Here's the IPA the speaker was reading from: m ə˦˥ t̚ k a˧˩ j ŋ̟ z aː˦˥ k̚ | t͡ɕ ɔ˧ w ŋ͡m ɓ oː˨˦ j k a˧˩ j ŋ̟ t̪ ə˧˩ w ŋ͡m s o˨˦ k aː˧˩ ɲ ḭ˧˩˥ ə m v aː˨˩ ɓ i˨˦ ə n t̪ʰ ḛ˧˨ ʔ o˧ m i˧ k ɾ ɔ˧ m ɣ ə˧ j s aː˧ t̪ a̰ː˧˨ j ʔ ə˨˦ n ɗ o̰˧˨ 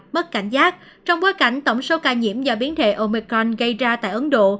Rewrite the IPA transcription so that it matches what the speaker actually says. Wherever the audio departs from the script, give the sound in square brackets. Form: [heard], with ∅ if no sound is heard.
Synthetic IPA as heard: m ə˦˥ t̚ k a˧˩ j ŋ̟ z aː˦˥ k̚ | t͡ɕ ɔ˧ w ŋ͡m ɓ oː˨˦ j k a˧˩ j ŋ̟ t̪ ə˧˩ w ŋ͡m s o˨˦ k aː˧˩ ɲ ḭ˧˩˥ ə m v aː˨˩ ɓ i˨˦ ə n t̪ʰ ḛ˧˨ ʔ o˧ m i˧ k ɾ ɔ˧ [n] ɣ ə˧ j [z] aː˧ t̪ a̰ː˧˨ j ʔ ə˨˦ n ɗ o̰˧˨